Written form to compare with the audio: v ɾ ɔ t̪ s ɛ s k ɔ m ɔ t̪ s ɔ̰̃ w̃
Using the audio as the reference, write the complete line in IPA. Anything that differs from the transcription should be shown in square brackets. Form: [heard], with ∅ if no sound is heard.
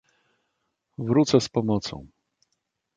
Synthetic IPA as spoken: v ɾ [u] t̪ s ɛ s [p] ɔ m ɔ t̪ s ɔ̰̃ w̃